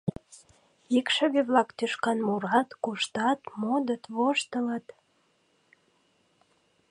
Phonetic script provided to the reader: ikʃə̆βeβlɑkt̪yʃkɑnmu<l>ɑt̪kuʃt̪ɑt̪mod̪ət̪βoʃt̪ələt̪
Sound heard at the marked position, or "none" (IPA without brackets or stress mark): ɾ